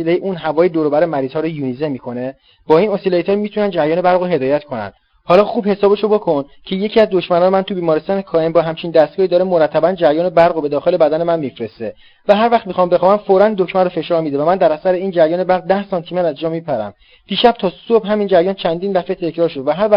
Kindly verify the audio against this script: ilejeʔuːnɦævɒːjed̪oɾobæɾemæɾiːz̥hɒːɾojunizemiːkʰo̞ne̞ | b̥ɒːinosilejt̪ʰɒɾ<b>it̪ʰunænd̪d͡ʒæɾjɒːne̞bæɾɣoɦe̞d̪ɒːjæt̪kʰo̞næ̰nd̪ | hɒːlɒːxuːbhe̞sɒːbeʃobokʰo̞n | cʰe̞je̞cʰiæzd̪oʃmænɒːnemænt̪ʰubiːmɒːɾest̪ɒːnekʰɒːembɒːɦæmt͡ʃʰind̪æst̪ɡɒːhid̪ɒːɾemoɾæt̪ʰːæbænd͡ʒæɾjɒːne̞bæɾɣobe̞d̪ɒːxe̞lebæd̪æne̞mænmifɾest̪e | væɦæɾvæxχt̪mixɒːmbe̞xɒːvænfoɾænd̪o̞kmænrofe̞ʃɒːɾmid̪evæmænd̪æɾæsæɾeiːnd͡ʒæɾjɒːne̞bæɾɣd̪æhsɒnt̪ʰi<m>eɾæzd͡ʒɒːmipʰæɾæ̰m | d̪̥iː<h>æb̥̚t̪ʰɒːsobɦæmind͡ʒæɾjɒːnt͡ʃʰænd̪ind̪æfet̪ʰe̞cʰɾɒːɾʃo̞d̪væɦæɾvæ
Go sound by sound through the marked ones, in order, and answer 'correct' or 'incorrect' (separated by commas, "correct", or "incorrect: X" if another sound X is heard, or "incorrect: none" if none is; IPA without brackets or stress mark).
incorrect: m, correct, incorrect: ʃ